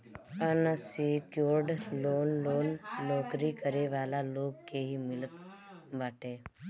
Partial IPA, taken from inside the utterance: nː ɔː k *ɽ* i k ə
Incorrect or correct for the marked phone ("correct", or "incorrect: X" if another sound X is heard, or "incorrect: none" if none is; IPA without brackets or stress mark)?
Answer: incorrect: ɾ